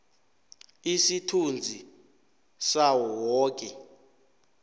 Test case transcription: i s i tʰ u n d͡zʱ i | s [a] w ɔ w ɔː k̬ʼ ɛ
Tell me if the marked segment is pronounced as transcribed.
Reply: yes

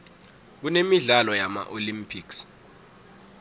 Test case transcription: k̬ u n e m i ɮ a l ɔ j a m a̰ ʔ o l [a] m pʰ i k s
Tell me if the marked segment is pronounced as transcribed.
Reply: no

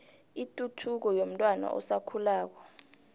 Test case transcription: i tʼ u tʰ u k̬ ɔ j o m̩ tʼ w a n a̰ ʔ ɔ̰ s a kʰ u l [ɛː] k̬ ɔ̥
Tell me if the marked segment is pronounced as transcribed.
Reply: no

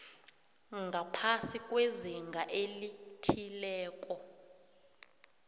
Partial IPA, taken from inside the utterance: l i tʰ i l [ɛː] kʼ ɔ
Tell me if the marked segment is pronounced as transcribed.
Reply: yes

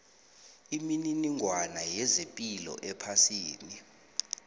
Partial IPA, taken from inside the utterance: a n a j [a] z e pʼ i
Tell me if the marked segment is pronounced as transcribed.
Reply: no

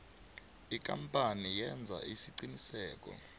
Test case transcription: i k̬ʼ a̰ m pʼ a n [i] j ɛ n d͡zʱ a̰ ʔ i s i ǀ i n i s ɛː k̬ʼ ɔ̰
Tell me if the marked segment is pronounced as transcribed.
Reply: yes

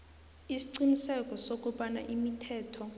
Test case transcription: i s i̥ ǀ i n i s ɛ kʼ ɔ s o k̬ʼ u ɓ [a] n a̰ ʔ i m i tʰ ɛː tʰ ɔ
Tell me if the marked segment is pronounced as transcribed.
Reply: yes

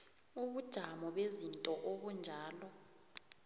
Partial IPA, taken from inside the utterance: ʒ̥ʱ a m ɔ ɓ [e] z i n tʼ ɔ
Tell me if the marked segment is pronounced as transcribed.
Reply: yes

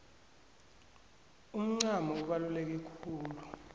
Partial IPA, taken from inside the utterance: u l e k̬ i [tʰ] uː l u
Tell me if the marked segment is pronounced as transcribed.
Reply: no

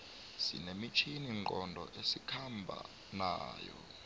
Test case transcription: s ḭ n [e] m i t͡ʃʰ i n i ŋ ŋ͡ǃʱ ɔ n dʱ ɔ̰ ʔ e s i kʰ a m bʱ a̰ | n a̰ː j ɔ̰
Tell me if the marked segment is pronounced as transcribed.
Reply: yes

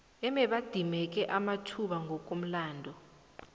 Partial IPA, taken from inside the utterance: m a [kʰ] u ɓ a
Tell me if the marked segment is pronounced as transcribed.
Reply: no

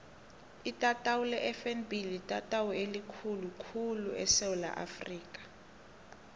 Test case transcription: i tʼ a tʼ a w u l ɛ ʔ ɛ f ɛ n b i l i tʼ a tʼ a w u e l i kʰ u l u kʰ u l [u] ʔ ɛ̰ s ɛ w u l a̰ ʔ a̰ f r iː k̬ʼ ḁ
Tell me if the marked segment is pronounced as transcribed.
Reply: yes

